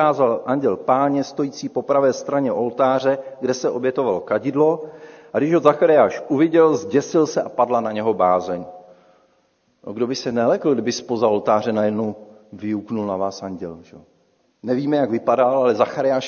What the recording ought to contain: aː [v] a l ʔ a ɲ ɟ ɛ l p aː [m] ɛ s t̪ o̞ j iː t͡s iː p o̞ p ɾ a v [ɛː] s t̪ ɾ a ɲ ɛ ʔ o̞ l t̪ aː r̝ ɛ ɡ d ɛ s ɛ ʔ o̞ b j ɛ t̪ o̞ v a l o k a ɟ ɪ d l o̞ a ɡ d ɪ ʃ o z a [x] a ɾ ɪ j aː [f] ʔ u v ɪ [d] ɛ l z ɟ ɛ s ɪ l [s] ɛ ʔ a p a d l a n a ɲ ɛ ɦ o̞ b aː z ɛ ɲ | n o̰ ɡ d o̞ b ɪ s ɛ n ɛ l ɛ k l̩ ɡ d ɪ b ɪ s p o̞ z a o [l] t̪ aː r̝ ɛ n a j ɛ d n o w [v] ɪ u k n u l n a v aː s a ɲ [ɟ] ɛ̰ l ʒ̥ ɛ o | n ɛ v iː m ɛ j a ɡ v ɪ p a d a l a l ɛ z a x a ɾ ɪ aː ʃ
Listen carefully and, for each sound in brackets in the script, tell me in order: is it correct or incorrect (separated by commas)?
incorrect, incorrect, correct, correct, incorrect, incorrect, correct, correct, correct, correct